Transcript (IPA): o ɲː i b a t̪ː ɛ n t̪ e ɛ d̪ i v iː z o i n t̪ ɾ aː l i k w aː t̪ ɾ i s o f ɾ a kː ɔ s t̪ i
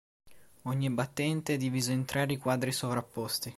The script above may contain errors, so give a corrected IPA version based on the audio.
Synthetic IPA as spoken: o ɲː i b a t̪ː ɛ n t̪ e ɛ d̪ i v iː z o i n t̪ ɾ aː ɾ i k w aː d̪ ɾ i s o v ɾ a pː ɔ s t̪ i